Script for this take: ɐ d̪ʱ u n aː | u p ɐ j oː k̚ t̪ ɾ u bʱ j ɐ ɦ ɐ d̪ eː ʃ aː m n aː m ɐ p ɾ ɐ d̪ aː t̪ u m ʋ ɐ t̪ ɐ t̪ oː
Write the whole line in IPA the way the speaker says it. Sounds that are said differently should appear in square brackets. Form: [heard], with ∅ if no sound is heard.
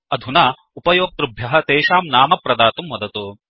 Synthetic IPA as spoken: ɐ d̪ʱ u n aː | u p ɐ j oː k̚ t̪ ɾ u bʱ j ɐ ɦ ɐ [t̪] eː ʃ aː m n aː m ɐ p ɾ ɐ d̪ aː t̪ u m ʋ ɐ [d̪] ɐ t̪ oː